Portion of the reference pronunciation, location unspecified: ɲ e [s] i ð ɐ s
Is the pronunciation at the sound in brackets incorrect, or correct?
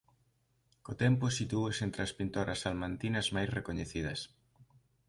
incorrect